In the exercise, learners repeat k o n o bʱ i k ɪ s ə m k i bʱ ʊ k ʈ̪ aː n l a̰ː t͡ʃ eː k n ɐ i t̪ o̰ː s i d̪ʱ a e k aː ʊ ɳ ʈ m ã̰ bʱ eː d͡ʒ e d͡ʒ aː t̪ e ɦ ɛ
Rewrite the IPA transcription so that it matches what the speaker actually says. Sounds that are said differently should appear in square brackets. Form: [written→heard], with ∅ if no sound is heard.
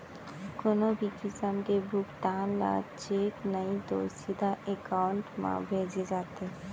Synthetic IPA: k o n o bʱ i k ɪ s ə m k [i→e] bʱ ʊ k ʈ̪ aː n l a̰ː t͡ʃ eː k n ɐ i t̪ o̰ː s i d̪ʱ a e k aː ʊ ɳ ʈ m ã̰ bʱ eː d͡ʒ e d͡ʒ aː t̪ e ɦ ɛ